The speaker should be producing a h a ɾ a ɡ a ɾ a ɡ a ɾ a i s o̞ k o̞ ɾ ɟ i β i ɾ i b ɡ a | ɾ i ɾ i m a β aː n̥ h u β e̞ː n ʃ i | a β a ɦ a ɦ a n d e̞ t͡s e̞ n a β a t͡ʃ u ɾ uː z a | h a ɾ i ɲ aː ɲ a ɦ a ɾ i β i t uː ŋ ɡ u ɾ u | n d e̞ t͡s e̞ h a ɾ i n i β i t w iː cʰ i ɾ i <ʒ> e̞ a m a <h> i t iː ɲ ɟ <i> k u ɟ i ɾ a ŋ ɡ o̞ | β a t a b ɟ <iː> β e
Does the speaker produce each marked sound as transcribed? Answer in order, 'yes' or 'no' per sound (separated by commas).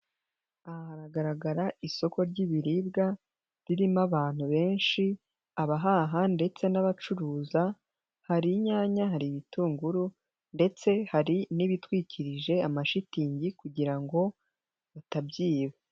yes, no, yes, yes